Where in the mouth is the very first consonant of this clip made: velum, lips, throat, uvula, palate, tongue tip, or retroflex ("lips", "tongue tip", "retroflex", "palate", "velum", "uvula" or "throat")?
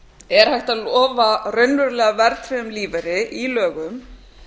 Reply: tongue tip